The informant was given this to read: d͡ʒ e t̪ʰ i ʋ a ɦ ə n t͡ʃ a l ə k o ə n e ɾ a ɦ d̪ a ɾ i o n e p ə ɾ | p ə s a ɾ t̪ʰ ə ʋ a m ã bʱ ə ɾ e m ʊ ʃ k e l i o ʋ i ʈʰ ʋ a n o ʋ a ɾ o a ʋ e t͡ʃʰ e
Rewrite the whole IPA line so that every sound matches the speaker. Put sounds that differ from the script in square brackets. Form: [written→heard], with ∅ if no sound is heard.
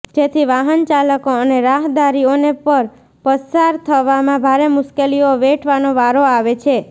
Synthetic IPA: d͡ʒ e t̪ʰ i ʋ a ɦ ə n t͡ʃ a l ə k o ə n e ɾ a ɦ d̪ a ɾ i o n e p ə ɾ | p ə s a ɾ t̪ʰ ə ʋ a m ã bʱ [ə→a] ɾ e m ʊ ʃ k e l i o ʋ [i→e] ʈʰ ʋ a n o ʋ a ɾ o a ʋ e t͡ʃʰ e